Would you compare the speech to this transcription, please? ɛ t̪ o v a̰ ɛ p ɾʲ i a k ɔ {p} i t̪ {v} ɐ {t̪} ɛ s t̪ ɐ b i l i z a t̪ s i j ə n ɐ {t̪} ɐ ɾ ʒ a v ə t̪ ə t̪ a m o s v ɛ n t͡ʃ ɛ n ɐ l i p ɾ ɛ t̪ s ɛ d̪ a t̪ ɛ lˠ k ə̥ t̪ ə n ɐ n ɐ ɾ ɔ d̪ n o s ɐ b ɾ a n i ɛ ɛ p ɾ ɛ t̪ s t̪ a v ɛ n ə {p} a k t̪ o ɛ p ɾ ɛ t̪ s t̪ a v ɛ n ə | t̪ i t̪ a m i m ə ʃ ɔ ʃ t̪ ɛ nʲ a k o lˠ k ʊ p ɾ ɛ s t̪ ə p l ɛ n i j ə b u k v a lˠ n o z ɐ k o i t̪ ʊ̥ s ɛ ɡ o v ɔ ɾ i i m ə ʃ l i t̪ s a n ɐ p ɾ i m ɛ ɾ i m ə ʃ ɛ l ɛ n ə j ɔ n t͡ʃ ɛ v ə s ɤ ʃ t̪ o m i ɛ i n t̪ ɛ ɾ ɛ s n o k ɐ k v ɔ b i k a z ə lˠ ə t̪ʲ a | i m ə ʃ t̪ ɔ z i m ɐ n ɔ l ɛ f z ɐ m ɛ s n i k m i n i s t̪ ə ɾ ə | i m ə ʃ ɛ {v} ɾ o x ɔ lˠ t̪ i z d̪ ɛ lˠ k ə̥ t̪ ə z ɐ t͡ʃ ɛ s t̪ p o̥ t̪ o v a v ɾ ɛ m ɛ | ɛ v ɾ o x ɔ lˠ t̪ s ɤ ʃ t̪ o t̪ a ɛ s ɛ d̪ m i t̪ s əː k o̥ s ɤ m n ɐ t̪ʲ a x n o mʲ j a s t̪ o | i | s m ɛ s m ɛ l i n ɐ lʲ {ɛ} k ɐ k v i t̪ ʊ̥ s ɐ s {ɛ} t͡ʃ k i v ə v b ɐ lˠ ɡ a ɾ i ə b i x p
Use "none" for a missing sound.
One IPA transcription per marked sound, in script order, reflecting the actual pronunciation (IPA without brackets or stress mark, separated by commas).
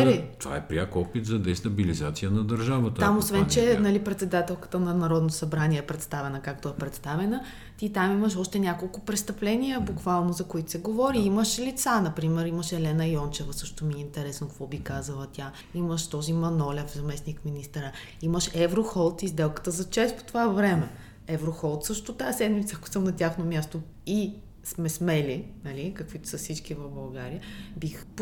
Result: p, z, d̪, d̪, k, v, i, i